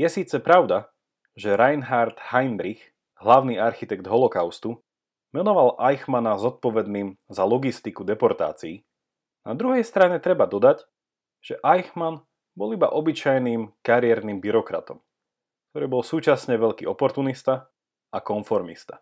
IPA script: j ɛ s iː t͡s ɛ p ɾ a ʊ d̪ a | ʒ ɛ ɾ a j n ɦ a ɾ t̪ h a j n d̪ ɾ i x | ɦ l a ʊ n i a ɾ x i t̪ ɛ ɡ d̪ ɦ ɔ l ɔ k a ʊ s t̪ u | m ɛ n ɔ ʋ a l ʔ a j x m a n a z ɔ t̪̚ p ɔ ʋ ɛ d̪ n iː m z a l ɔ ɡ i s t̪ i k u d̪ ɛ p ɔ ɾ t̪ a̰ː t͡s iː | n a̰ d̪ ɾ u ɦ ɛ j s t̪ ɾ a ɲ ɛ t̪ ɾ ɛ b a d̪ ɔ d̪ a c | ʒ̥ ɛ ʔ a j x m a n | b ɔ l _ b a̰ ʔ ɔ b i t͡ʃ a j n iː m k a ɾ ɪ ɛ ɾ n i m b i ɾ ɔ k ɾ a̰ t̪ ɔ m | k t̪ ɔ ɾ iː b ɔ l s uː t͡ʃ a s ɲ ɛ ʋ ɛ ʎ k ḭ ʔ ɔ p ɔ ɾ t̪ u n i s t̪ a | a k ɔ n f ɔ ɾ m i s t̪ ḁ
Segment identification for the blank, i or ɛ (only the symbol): i